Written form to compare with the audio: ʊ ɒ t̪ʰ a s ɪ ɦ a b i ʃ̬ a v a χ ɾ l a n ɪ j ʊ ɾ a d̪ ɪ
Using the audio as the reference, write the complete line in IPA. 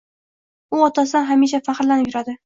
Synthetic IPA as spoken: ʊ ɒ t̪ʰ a s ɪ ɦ a m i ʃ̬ a f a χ ɾ l a n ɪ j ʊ ɾ a d̪ ɪ

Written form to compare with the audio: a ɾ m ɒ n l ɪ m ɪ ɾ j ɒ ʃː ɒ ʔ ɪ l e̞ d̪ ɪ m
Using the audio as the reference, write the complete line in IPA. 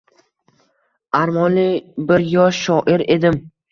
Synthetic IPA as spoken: a ɾ m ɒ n l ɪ b ɪ ɾ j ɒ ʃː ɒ ʔ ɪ ɾ e̞ d̪ ɪ m

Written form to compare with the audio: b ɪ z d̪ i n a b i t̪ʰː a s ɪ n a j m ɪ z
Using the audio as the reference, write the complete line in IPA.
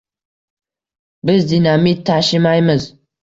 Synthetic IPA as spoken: b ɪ z d̪ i n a m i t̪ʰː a ʃ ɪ m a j m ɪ z

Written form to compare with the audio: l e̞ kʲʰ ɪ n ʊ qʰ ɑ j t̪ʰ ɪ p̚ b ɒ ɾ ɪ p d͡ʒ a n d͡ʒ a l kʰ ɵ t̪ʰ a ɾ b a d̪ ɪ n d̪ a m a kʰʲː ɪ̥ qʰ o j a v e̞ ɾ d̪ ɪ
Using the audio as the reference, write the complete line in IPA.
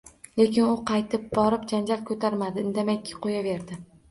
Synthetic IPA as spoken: l e̞ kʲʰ ɪ n ʊ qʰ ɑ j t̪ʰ ɪ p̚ b ɒ ɾ ɪ p d͡ʒ a n d͡ʒ a l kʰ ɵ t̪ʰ a ɾ m a d̪ ɪ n d̪ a m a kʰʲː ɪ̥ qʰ o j a v e̞ ɾ d̪ ɪ

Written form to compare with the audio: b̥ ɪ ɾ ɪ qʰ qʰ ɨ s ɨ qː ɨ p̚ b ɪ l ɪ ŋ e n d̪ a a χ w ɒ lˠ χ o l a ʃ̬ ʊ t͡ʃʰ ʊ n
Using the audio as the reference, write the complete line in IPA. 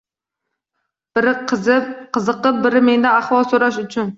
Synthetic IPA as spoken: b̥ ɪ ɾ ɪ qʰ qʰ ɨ z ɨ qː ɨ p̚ b ɪ ɾ ɪ m e n d̪ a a χ w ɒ lˠ s o ɾ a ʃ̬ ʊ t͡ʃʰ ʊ n

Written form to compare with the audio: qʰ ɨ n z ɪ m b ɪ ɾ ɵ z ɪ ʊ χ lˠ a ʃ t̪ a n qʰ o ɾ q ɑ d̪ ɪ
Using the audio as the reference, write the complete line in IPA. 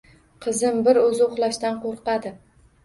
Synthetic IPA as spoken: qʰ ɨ z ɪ m b ɪ ɾ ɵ z ɪ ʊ χ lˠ a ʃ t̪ a n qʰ o ɾ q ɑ d̪ ɪ

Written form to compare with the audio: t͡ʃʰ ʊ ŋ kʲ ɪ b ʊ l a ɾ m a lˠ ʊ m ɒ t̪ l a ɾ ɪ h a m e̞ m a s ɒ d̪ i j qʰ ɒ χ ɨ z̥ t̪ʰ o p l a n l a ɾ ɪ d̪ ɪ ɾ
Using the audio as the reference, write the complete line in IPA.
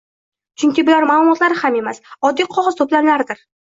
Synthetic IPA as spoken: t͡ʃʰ ʊ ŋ kʲ ɪ b ʊ l a ɾ m a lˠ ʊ m ɒ t̪ l a ɾ ɪ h a m e̞ m a s ɒ d̪ː i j qʰ ɒ ʁ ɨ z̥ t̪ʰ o p l a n l a ɾ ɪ d̪ ɪ ɾ

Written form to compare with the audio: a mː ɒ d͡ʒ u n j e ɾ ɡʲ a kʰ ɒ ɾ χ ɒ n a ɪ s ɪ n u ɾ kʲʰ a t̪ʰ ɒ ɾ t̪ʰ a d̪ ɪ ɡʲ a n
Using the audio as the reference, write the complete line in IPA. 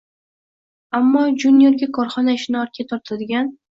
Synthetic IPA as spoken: a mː ɒ d͡ʒ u n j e ɾ ɡʲ a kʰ ɒ ɾ χ ɒ n a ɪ ʃ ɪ n ɒ ɾ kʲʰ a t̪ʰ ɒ ɾ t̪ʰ a d̪ ɪ ɡʲ a n

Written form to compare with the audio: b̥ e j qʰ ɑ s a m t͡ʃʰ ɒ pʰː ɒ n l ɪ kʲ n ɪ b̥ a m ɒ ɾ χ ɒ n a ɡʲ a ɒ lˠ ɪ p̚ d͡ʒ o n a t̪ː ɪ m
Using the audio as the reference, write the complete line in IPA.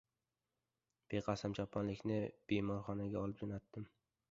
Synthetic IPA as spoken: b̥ e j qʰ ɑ s a m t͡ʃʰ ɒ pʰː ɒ n l ɪ kʲ n ɪ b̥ e m ɒ ɾ χ ɒ n a ɡʲ a ɒ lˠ ɪ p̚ d͡ʒ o n a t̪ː ɪ m

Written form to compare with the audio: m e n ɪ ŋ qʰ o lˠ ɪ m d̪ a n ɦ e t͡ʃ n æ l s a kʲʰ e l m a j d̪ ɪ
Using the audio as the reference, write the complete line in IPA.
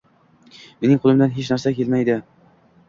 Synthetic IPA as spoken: m e n ɪ ŋ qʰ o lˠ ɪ m d̪ a n ɦ e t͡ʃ n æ ɾ s a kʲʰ e l m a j d̪ ɪ

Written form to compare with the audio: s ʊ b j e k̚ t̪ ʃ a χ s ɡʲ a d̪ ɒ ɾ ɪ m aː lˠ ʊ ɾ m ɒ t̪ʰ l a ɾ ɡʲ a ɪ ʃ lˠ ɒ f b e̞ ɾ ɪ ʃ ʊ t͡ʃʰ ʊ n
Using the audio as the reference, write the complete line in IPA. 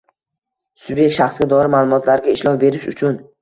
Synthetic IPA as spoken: s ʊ b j e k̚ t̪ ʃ a χ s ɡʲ a d̪ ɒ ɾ ɪ m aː lˠ ʊ m ɒ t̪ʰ l a ɾ ɡʲ a ɪ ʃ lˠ ɒ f b e̞ ɾ ɪ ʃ ʊ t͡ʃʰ ʊ n

